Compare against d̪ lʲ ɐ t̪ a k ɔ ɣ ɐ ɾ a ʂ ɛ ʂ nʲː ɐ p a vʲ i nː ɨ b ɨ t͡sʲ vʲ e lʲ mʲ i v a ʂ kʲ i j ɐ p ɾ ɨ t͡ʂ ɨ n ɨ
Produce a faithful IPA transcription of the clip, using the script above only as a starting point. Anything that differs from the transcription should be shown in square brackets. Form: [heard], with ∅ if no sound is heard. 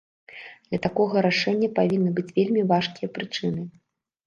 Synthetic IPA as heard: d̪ lʲ ɐ t̪ a k ɔ ɣ ɐ ɾ a ʂ ɛ [∅] nʲː ɐ p a vʲ i nː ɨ b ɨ t͡sʲ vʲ e lʲ mʲ i v a ʂ kʲ i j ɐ p ɾ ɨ t͡ʂ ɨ n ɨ